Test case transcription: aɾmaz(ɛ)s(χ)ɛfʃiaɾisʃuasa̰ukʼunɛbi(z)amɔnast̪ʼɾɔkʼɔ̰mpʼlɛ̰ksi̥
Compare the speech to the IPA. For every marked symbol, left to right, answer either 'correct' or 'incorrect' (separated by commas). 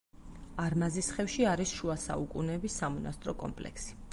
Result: incorrect, correct, incorrect